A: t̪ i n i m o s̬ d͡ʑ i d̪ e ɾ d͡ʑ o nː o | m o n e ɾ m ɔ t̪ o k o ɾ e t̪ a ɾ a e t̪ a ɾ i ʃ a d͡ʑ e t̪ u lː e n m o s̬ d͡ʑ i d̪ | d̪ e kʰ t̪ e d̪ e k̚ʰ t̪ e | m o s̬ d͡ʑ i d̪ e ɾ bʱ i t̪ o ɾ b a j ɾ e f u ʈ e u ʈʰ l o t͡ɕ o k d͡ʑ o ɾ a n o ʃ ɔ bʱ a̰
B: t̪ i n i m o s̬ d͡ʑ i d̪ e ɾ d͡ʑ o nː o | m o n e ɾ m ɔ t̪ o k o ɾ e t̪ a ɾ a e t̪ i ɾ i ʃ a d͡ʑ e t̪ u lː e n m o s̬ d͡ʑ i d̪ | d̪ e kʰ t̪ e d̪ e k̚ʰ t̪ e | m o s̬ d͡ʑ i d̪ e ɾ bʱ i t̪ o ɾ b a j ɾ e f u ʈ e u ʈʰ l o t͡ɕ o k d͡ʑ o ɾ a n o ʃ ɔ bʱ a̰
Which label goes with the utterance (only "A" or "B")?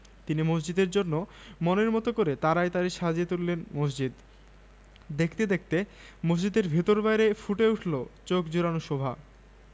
A